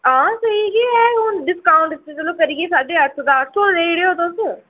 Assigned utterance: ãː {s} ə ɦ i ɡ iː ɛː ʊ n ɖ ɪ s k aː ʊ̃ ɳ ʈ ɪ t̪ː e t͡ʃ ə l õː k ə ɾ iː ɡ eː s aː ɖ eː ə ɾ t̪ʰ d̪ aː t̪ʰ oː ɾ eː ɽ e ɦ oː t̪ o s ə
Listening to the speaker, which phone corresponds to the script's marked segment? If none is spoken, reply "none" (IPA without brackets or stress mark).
s